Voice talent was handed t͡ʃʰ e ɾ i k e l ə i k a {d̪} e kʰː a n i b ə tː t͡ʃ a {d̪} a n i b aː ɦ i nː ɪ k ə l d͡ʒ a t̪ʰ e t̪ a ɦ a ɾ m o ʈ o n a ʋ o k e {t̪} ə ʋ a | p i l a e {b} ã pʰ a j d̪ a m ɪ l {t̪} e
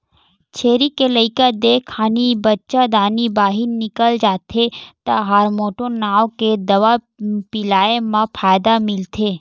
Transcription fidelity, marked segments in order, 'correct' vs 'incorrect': correct, correct, incorrect: d̪, incorrect: m, incorrect: t̪ʰ

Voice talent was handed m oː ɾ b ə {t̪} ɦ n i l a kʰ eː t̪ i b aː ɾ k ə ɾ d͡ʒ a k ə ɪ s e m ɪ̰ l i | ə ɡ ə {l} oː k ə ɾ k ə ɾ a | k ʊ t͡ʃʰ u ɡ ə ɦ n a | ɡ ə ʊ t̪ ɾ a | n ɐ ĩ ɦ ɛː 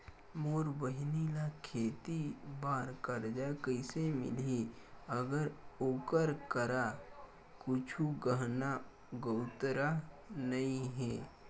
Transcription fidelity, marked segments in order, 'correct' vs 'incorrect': incorrect: none, incorrect: ɾ

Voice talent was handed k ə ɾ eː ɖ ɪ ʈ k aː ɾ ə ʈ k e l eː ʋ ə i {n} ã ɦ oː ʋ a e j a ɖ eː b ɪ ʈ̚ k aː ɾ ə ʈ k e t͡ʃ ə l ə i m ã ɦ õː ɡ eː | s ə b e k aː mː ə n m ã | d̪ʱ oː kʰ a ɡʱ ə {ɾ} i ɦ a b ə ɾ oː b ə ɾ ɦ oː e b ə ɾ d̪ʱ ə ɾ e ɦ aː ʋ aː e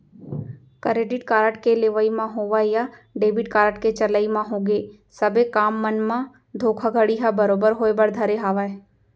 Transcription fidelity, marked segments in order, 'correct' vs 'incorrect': incorrect: m, incorrect: ɽ

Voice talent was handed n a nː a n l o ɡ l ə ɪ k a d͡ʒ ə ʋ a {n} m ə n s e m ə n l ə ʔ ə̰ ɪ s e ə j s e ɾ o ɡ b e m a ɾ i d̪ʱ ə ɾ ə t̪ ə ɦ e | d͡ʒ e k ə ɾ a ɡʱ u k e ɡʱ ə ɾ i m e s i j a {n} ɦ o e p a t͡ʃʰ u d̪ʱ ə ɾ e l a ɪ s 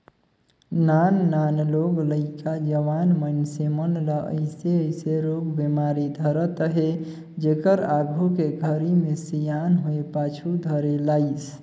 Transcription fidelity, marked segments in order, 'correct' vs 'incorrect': correct, correct

